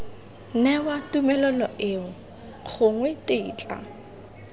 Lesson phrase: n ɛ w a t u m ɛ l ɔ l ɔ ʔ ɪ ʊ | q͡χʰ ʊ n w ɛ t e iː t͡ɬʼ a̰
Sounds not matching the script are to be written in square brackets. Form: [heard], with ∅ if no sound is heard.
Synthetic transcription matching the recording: n ɛ w a t u m ɛ l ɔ l ɔ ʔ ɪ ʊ | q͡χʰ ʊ [ŋ] w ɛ t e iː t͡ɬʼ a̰